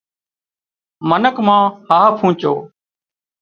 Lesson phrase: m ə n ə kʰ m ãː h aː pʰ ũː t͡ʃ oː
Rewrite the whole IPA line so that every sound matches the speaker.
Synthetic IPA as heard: m ə n ə k m ãː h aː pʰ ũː t͡ʃ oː